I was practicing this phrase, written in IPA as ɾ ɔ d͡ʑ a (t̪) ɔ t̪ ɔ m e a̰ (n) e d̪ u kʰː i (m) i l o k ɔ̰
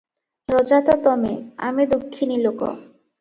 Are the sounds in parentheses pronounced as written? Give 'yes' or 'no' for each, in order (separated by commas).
yes, no, no